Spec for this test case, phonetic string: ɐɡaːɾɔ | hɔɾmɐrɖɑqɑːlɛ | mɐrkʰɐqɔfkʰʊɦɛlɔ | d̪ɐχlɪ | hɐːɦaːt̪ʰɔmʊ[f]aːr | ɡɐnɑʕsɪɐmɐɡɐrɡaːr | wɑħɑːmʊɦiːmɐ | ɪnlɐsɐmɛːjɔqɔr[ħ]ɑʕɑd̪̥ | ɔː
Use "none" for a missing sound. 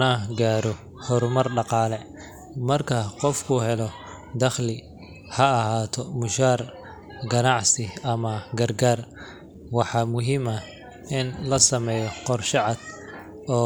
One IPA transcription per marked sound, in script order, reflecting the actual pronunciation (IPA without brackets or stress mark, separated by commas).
ʃ, ʃ